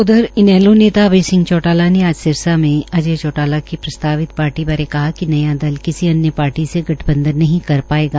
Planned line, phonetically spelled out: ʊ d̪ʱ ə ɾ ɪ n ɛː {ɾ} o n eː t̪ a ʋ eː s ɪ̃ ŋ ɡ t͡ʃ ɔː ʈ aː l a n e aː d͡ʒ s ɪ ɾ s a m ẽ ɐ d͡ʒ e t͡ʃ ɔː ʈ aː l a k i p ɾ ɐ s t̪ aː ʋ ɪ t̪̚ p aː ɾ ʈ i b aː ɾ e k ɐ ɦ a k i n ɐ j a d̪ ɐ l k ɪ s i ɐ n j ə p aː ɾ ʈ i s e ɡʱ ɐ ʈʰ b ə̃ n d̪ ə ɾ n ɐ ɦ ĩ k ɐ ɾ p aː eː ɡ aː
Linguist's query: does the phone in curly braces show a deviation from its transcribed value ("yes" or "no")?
yes